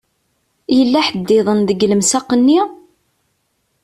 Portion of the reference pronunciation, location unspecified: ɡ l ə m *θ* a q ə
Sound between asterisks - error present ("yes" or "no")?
yes